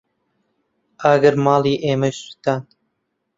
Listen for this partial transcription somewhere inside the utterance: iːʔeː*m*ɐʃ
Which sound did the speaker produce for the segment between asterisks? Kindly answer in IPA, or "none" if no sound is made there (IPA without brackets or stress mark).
m